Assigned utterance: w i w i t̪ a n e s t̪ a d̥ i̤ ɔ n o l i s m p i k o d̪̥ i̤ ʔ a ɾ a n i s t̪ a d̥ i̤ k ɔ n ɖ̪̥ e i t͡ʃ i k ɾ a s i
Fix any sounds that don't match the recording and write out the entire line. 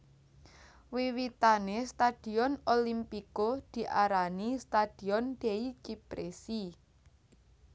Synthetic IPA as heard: w i w i t̪ a n e s t̪ a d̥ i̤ ɔ n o l i m p i k o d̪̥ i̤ ʔ a ɾ a n i s t̪ a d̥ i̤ ɔ n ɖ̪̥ e i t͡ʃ i p ɾ e s i